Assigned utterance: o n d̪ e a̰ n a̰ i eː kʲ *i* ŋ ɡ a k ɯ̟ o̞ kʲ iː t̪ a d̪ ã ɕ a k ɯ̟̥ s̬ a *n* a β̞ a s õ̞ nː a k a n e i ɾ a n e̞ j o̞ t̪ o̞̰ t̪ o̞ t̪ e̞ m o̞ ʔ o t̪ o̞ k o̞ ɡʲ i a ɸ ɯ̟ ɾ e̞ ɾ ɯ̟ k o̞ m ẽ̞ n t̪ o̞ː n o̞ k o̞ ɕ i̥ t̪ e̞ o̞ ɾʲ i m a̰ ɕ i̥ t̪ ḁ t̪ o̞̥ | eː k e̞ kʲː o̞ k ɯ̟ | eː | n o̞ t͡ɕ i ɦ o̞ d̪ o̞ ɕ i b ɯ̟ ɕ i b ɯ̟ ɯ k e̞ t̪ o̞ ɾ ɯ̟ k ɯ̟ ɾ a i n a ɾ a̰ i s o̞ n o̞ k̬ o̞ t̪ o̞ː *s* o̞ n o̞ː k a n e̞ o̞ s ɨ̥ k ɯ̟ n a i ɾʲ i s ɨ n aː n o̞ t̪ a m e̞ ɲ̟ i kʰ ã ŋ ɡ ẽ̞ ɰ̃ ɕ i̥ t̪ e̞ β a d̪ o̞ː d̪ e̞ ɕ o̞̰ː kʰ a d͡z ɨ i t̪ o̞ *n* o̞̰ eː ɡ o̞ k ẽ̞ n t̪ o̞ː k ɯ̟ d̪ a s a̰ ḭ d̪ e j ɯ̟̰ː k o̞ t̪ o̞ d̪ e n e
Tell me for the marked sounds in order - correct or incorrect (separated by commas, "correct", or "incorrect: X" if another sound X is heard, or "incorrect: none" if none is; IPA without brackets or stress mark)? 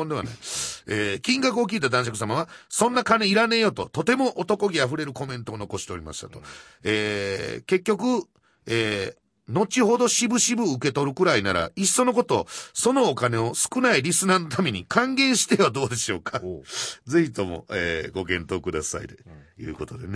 incorrect: ĩ, incorrect: m, correct, incorrect: m